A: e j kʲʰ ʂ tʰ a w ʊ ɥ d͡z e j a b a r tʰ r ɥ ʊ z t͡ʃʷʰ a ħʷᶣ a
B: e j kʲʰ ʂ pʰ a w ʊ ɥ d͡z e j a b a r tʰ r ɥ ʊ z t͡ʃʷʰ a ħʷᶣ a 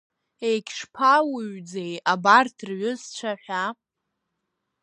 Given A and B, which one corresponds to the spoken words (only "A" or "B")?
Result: B